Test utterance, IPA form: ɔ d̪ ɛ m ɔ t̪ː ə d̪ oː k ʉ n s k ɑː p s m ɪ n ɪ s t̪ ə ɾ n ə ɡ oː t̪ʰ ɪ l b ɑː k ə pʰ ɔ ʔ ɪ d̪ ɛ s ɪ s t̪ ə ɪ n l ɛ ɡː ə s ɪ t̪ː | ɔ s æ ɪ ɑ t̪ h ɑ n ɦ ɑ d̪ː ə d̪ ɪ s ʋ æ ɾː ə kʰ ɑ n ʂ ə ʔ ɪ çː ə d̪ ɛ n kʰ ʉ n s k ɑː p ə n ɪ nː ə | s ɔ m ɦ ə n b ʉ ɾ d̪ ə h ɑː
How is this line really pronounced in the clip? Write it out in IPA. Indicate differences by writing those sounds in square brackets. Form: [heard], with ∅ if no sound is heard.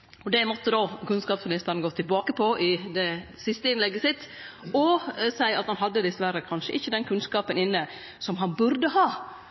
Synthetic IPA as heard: ɔ d̪ ɛ m ɔ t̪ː ə d̪ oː k ʉ n s k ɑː p s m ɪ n ɪ s t̪ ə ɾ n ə ɡ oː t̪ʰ ɪ l b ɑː k ə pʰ ɔ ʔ ɪ d̪ ɛ s ɪ s t̪ ə ɪ n l ɛ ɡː ə s ɪ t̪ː | ɔ s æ ɪ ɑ t̪ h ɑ n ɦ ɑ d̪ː ə d̪ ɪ s ʋ æ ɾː ə kʰ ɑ n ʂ ə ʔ ɪ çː ə d̪ ɛ n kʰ ʉ n s k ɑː p ə n ɪ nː ə | s ɔ m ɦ [ɑ] n b ʉ ɾ d̪ ə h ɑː

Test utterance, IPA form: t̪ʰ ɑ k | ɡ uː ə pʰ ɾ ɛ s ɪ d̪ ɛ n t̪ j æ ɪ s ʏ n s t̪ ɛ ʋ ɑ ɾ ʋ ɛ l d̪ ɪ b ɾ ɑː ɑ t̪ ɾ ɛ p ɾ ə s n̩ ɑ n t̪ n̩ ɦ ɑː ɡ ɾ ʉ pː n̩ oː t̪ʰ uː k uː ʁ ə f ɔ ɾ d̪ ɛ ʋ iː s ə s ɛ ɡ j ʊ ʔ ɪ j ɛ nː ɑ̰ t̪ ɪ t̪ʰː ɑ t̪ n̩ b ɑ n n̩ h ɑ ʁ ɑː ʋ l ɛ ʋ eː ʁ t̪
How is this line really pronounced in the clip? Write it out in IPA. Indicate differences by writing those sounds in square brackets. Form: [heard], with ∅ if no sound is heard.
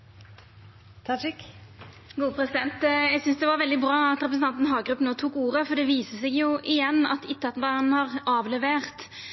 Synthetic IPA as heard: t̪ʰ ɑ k | ɡ uː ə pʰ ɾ ɛ s ɪ d̪ ɛ n t̪ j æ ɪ s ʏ n s [d̪] ɛ ʋ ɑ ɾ ʋ ɛ l d̪ ɪ b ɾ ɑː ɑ t̪ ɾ ɛ p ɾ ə s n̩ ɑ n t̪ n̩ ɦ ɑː ɡ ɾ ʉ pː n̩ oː t̪ʰ uː k uː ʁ ə f ɔ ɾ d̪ ɛ ʋ iː s ə s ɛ ɡ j ʊ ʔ ɪ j ɛ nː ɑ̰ t̪ ɪ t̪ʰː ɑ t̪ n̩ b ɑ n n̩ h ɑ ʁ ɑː ʋ l ɛ ʋ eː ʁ t̪

